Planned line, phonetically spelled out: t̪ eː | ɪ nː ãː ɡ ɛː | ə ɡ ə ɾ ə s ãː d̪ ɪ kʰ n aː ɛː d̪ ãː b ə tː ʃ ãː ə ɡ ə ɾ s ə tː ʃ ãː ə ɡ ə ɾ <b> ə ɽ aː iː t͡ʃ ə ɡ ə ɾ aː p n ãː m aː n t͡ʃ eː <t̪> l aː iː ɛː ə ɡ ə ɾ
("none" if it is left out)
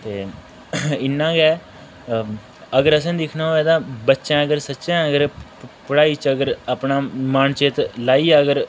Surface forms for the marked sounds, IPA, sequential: p, t̪

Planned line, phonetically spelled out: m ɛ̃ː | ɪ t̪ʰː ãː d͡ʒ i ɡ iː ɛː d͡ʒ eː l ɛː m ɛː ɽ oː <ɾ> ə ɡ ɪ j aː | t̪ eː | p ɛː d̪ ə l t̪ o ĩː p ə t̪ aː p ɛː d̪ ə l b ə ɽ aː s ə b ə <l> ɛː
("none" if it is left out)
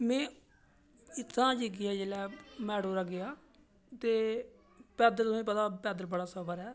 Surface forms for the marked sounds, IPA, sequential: ɾ, ɾ

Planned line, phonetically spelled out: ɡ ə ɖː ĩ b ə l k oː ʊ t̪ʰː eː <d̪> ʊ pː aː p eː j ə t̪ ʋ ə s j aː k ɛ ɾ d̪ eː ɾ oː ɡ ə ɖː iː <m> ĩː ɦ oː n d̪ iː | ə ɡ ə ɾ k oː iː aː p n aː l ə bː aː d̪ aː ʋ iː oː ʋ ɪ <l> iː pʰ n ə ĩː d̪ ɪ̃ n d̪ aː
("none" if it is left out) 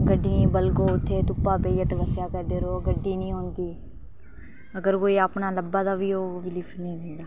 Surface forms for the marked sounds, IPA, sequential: t̪, n, l

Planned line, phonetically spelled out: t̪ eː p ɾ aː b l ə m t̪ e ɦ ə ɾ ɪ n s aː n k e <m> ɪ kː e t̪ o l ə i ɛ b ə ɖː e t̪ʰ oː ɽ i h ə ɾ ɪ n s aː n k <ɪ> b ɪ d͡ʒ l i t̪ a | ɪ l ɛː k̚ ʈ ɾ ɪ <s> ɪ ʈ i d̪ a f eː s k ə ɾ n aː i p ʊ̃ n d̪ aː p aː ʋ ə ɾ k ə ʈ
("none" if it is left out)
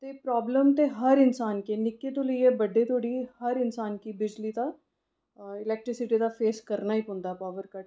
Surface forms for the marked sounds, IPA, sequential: n, i, s

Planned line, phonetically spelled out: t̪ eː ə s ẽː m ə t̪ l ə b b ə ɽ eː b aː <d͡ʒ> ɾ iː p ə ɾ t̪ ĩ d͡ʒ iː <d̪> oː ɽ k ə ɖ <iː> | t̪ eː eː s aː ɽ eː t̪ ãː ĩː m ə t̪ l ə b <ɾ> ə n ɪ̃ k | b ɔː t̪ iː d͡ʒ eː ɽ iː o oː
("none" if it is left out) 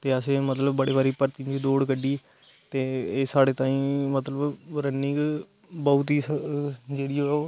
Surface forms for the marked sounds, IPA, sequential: none, d̪, iː, ɾ

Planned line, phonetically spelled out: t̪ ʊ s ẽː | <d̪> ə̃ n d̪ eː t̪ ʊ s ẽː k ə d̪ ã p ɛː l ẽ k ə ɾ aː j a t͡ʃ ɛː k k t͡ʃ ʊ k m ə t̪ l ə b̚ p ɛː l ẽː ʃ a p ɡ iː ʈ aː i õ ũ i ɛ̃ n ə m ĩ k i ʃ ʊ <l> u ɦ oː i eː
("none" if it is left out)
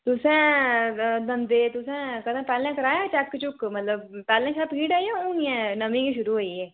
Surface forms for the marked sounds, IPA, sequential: d̪, ɾ

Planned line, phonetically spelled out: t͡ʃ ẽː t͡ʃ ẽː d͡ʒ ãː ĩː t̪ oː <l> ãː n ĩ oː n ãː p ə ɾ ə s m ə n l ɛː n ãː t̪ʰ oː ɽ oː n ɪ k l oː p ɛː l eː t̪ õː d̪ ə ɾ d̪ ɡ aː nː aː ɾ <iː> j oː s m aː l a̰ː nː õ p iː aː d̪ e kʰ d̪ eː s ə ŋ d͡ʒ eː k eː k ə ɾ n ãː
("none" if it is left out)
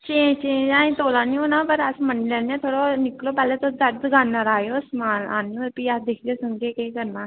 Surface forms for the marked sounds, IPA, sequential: l, aː

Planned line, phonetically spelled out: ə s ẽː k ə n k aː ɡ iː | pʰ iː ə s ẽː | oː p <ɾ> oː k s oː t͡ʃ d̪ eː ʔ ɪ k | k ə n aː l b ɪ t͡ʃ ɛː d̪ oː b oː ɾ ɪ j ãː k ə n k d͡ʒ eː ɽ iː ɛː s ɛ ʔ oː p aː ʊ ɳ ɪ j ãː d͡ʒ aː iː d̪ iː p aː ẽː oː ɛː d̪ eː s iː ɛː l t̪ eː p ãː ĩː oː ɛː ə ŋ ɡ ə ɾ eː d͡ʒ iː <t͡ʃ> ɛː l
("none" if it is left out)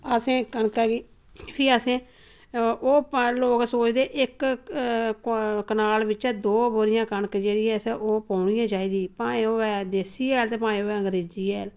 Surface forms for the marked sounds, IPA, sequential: l, none

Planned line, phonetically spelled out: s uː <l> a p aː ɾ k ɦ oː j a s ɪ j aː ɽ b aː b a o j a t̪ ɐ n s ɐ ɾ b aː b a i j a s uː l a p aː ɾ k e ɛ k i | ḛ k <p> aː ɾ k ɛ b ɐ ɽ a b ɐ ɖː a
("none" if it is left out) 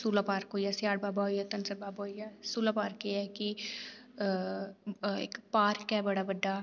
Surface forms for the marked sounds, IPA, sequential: l, p

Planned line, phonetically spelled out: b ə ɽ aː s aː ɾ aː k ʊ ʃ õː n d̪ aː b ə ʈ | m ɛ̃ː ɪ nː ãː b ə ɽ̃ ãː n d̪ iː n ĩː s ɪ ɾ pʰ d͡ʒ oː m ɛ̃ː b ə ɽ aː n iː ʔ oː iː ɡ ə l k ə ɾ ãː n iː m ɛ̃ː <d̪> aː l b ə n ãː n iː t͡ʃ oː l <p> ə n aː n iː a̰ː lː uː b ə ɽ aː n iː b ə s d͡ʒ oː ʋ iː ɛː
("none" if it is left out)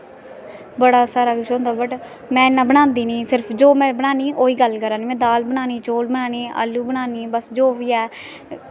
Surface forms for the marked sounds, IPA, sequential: d̪, b

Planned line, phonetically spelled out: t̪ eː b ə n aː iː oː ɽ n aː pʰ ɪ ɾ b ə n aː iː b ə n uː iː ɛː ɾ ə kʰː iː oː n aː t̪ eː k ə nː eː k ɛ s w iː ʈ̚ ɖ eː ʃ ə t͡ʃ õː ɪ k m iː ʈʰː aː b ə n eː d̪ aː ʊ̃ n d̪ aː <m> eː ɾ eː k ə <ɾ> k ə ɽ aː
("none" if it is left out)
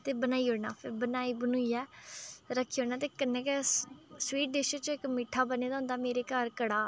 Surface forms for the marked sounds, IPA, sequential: m, ɾ

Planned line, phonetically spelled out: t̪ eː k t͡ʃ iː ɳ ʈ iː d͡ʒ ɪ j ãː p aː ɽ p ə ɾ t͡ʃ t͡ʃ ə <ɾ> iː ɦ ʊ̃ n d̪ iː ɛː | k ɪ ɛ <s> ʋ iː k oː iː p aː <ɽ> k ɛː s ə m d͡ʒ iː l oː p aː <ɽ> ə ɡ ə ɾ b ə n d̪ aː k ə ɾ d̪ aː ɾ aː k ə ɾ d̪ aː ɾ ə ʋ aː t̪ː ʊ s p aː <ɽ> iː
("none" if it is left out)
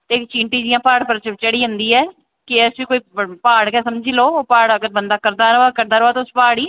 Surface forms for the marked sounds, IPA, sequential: ɽ, s, ɽ, ɽ, ɽ

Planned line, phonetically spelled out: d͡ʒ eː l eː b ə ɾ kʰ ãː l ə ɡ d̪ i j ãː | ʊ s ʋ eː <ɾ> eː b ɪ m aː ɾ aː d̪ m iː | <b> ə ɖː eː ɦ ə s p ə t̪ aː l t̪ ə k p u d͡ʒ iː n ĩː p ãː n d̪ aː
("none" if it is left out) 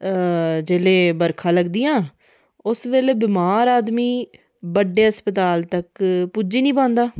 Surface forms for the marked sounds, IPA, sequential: l, b

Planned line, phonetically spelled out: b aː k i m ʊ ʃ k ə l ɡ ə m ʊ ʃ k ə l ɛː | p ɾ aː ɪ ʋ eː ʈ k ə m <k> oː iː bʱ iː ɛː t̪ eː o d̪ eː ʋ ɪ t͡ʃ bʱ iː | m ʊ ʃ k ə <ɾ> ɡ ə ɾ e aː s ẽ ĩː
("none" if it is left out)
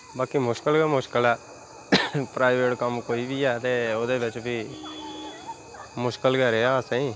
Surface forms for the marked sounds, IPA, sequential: k, l

